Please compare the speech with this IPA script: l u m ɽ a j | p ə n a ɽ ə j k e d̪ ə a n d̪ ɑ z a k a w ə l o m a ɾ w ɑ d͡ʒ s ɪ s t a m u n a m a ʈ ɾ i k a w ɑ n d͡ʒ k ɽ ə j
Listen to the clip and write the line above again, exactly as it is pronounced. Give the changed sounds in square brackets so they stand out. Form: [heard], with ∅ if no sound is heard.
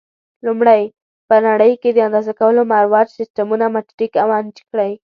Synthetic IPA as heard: l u m ɽ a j | p ə n a ɽ ə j k e d̪ ə a n d̪ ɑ z a k a w ə l o m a ɾ w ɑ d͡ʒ s ɪ s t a m u n a m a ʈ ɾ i k a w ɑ n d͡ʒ k ɽ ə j